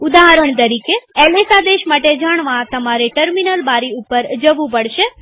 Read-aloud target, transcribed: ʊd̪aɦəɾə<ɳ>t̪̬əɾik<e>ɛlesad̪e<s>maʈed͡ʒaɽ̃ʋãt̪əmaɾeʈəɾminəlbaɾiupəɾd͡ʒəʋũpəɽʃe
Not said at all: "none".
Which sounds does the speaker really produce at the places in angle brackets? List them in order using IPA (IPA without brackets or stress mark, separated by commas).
ɳ, e, ʃ